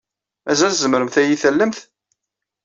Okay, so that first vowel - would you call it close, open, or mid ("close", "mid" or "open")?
open